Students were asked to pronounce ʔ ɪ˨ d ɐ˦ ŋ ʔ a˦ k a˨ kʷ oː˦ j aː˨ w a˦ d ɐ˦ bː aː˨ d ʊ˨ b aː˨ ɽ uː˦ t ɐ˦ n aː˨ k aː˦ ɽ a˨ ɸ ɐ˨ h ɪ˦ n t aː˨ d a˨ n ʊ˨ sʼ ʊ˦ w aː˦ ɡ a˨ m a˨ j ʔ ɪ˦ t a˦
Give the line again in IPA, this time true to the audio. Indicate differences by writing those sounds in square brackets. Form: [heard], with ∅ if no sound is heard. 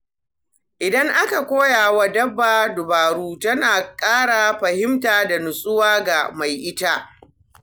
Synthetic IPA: ʔ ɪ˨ d ɐ˦ ŋ ʔ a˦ k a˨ kʷ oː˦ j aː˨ w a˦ d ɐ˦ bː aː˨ d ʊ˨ b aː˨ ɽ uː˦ t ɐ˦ n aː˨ [kʼ] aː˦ ɽ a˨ ɸ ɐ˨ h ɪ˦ [m] t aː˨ d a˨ n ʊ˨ sʼ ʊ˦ w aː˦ ɡ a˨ m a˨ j ʔ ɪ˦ t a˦